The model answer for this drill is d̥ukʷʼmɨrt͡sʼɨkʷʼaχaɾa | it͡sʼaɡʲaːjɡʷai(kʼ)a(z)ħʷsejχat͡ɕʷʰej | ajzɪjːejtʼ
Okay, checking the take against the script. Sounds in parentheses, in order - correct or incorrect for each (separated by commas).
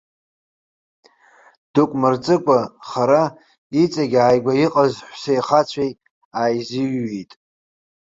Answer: incorrect, correct